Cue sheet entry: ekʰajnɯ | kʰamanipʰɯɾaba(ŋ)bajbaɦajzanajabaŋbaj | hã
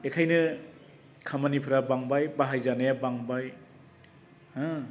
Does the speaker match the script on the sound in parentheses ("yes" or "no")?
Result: yes